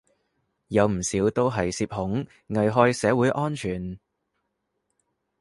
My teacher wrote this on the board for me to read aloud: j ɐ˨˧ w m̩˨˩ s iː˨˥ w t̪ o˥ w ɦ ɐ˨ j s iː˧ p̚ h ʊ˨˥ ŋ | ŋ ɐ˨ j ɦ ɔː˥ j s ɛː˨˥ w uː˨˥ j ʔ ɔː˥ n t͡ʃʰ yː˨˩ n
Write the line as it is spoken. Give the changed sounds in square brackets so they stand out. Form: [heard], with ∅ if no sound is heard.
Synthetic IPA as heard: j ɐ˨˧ w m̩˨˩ s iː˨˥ w t̪ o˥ w ɦ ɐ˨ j s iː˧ p̚ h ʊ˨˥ ŋ | ŋ ɐ˨ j ɦ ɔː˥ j s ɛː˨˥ w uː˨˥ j ʔ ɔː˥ n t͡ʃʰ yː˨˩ n